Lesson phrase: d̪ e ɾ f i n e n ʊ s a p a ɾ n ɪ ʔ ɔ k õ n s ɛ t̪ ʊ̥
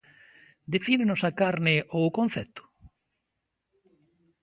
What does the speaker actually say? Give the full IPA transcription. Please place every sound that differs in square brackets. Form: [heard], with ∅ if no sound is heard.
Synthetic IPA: d̪ e [∅] f i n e n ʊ s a [k] a ɾ n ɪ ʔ [o] k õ n [θ] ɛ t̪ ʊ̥